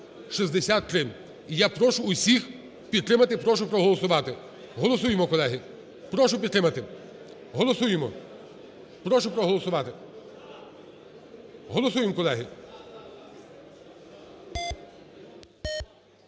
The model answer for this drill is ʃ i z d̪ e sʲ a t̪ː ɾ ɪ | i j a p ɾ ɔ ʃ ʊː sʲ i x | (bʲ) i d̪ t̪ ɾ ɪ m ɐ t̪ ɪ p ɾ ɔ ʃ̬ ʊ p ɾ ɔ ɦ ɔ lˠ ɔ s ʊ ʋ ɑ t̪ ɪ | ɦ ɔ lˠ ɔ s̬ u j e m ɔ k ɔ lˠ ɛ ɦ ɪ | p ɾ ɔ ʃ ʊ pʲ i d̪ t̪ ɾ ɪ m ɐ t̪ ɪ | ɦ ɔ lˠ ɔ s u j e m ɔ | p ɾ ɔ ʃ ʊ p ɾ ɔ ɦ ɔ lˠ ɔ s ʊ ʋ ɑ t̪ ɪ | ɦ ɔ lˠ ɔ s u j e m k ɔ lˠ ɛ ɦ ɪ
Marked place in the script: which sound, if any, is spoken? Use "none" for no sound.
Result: pʲ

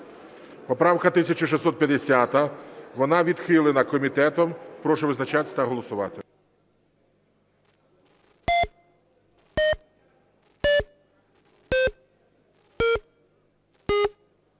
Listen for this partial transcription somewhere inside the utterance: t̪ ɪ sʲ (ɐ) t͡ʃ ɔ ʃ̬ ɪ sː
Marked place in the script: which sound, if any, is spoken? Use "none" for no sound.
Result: ɐ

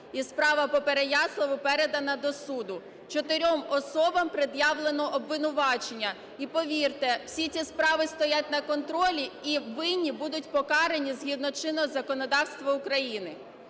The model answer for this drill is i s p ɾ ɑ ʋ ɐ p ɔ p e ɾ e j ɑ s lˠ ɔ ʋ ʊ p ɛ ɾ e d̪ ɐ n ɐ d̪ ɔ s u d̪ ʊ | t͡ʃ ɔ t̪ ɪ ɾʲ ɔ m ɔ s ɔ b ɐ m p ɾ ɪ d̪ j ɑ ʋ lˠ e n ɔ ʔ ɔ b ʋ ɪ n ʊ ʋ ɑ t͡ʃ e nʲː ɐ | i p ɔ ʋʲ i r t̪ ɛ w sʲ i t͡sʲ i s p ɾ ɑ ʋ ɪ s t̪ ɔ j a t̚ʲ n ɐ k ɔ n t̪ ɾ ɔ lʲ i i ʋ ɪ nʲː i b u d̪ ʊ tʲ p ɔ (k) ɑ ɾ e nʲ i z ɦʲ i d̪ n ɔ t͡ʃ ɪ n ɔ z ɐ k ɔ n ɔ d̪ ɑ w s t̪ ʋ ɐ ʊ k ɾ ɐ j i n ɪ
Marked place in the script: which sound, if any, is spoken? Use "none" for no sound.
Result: k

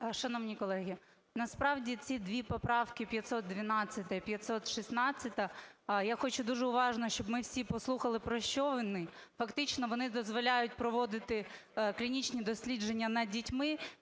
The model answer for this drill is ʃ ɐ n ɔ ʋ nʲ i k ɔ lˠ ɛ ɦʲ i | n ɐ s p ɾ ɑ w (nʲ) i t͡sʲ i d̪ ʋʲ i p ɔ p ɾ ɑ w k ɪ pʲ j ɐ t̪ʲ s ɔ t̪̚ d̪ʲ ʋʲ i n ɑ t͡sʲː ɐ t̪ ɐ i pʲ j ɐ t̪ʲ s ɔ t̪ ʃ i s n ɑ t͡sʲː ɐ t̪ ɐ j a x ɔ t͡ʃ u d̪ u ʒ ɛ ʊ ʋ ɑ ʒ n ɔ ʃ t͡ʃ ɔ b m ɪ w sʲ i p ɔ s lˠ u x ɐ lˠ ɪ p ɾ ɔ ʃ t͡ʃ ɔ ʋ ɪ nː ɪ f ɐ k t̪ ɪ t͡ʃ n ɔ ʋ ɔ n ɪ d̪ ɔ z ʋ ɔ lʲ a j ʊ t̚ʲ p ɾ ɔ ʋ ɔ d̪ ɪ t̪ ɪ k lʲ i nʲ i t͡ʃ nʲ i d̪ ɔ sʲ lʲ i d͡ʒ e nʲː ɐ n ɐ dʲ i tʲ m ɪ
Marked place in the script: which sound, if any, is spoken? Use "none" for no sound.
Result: dʲ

